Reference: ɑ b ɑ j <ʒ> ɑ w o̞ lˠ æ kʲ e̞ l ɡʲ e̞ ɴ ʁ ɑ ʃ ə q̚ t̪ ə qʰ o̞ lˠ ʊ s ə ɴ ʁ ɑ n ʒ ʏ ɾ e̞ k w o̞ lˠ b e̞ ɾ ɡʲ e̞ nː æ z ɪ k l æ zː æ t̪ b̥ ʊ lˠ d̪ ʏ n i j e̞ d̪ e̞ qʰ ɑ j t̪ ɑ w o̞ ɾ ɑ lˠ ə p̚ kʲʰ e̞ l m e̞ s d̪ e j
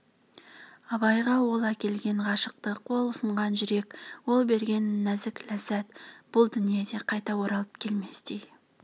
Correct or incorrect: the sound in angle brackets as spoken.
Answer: incorrect: ʁ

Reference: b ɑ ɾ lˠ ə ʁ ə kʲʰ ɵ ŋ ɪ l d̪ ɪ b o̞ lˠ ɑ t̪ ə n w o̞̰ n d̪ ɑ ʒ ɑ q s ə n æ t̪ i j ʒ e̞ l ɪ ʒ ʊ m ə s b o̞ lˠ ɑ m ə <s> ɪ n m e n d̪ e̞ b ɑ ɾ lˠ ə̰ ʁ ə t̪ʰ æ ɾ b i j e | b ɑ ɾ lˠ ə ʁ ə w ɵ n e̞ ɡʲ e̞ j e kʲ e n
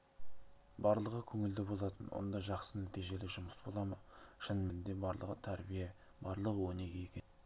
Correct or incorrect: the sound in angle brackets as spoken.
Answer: incorrect: ʃ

